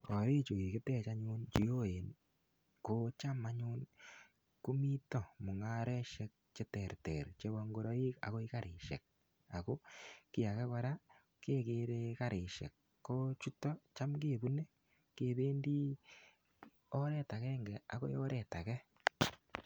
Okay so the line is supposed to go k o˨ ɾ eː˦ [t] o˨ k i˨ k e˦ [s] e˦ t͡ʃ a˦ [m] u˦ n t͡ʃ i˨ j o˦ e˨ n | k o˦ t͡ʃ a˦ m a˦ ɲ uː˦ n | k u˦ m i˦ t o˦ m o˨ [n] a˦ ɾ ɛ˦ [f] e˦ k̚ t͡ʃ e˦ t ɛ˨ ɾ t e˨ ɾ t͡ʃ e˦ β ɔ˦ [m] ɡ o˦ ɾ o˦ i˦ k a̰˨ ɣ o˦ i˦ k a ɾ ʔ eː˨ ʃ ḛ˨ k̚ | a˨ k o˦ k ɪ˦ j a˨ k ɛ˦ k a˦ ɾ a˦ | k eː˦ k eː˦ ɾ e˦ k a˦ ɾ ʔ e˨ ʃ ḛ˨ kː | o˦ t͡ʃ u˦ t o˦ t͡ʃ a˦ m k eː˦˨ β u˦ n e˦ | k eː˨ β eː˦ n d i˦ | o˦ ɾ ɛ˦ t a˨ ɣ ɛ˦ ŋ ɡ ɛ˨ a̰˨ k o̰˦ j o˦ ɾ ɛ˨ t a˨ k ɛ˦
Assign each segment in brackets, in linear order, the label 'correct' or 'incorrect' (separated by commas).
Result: incorrect, incorrect, incorrect, incorrect, incorrect, incorrect